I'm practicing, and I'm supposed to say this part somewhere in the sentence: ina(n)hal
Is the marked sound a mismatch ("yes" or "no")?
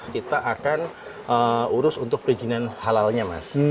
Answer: no